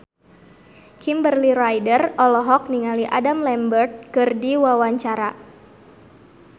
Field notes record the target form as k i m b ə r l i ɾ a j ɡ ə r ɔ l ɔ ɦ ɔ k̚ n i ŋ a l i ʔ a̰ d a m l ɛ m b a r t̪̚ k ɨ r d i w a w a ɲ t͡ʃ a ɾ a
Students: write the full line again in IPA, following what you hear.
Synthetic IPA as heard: k i m b ə r l i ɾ a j d ə r ɔ l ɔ ɦ ɔ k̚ n i ŋ a l i ʔ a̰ d a m l ɛ m b ə r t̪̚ k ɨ r d i w a w a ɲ t͡ʃ a ɾ a